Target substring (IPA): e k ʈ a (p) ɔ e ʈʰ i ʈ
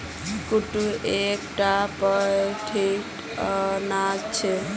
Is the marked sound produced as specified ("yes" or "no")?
yes